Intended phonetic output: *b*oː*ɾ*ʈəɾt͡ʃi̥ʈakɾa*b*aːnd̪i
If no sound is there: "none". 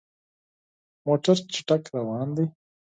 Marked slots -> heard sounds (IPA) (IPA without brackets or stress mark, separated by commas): m, none, w